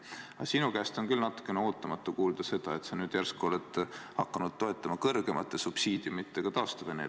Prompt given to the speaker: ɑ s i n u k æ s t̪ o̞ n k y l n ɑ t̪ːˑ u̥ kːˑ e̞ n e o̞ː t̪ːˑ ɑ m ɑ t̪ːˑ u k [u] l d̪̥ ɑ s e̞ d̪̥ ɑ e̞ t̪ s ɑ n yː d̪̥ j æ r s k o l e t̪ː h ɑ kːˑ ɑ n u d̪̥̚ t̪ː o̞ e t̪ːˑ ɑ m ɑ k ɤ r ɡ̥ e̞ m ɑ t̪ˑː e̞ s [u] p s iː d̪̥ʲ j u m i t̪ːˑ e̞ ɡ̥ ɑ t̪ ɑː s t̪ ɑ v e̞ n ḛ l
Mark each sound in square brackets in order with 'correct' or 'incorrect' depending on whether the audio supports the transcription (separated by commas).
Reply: incorrect, correct